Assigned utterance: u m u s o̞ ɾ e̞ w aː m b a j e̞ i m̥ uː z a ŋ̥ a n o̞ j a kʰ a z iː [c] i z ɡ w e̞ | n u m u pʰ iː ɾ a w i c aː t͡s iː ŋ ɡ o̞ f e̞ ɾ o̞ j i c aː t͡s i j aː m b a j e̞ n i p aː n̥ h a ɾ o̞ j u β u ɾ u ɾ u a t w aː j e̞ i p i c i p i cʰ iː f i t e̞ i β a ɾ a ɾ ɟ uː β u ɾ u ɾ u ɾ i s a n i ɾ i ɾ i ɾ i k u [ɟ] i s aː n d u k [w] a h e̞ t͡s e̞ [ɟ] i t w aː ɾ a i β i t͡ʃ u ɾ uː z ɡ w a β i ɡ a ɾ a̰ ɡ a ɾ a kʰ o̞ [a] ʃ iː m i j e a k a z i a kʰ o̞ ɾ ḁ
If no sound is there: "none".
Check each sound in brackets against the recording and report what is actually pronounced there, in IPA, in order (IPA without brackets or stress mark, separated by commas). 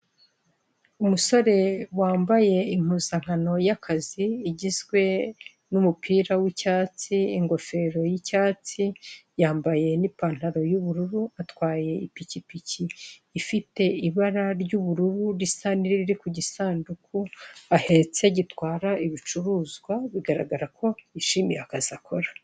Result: ɟ, ɟ, u, ɟ, i